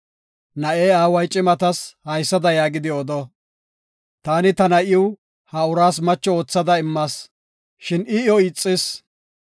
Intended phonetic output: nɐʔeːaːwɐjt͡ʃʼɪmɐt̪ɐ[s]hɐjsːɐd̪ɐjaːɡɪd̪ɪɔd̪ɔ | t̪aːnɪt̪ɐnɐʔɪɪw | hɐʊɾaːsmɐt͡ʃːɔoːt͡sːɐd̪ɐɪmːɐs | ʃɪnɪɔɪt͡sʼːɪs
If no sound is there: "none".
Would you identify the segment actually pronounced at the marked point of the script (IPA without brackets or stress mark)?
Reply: s